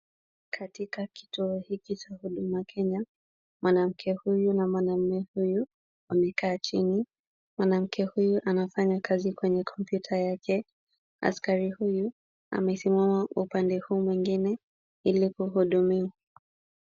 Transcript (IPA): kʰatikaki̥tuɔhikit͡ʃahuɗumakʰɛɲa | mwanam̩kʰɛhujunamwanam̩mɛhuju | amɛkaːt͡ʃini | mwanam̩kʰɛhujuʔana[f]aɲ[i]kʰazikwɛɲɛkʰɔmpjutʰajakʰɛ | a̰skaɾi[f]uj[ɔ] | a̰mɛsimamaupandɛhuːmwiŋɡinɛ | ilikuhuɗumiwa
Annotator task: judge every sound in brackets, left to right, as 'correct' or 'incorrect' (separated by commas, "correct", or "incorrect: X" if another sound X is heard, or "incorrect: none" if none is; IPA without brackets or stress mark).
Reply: correct, incorrect: a, incorrect: h, incorrect: u